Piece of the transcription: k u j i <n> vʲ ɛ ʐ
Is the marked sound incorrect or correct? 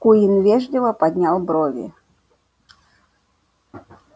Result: correct